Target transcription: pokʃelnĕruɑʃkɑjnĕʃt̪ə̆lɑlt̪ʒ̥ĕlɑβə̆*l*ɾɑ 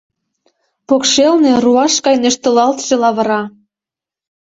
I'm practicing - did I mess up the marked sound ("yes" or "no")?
yes